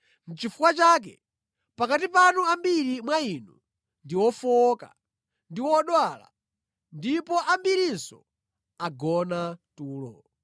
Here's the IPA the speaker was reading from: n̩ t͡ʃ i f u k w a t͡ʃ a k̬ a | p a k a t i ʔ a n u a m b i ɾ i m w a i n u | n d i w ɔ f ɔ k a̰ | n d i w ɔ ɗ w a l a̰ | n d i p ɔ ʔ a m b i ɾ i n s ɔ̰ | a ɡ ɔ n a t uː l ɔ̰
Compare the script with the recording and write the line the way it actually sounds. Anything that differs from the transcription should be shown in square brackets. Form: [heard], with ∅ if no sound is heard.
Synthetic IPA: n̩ t͡ʃ i f u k w a t͡ʃ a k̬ [ɛ] | p a k a t i [p] a n u a m b i ɾ i m w a i n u | n d i w ɔ f ɔ k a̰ | n d i w ɔ ɗ w a l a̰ | n d i p ɔ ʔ a m b i ɾ i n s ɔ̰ | a ɡ ɔ n a t uː l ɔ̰